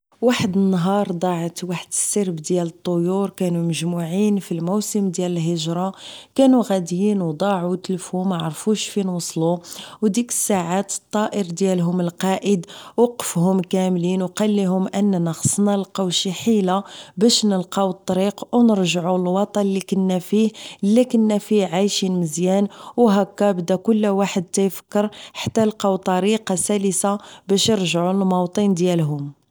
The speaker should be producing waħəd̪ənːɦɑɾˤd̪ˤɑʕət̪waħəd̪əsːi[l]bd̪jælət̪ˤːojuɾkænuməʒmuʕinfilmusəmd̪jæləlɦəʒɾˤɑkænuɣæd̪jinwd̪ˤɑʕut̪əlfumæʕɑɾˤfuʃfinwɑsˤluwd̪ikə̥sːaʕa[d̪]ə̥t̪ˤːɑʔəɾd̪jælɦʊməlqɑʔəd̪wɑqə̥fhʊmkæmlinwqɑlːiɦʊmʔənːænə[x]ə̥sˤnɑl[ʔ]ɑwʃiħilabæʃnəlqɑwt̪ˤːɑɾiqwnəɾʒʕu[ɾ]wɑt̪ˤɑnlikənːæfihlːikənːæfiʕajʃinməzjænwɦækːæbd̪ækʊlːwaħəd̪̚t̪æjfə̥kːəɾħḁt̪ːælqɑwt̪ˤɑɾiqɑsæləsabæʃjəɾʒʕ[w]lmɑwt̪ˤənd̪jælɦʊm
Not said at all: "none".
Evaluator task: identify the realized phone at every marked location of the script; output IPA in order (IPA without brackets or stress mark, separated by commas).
ɾ, t̪, x, q, l, u